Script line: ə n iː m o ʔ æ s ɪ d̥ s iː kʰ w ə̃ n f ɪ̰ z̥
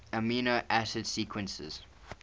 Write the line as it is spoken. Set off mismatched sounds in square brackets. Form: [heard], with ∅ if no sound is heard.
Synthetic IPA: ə [m] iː [n] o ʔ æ s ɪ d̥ s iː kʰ w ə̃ n [s] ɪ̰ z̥